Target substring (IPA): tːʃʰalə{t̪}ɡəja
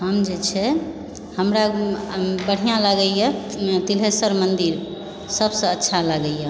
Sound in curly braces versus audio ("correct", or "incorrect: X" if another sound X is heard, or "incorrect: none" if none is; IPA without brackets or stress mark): incorrect: none